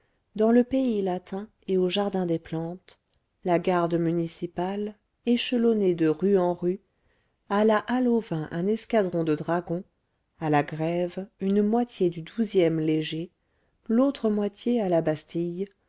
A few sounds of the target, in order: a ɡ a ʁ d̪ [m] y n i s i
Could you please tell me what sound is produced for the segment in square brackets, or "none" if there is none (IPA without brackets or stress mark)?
m